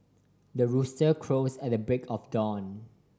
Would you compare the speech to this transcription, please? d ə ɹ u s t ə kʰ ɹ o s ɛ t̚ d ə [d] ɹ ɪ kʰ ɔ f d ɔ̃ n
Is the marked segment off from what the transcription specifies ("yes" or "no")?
yes